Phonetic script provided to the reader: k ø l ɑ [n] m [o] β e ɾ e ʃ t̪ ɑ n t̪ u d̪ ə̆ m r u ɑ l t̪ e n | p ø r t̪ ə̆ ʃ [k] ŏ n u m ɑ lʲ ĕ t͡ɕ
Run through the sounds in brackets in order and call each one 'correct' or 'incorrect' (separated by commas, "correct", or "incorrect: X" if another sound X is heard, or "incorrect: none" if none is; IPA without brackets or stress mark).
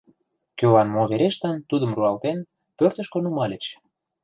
correct, correct, correct